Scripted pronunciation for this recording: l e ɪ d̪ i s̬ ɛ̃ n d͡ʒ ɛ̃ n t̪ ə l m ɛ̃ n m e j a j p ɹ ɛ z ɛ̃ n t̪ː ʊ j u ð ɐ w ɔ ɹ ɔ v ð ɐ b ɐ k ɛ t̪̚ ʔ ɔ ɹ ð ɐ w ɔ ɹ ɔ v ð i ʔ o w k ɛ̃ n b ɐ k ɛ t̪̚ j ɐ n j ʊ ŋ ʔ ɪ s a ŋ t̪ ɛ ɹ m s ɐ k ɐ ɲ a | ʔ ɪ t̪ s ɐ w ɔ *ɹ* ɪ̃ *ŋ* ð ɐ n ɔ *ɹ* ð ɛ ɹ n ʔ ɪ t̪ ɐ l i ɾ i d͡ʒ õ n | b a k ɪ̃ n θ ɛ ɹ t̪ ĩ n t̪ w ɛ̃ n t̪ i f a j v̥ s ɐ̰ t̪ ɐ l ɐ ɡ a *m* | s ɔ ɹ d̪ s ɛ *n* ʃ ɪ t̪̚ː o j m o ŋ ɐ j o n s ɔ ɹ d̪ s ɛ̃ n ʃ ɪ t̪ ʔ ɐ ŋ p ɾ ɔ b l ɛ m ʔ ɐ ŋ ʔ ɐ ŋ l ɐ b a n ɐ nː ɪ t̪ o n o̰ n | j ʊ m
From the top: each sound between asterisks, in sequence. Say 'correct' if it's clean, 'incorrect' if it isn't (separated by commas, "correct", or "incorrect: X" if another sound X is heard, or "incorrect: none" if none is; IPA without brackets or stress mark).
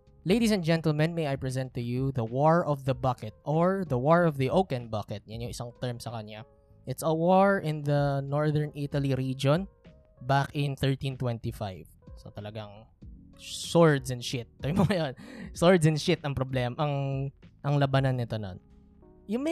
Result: correct, incorrect: n, correct, incorrect: ŋ, correct